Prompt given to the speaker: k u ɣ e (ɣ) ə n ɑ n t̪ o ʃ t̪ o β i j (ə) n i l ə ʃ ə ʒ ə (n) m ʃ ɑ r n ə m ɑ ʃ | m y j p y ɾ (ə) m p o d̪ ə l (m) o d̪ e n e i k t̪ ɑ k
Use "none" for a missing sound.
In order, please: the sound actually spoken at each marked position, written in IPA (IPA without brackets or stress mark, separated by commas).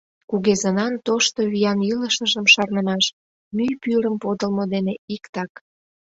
z, ɑ, none, ə, m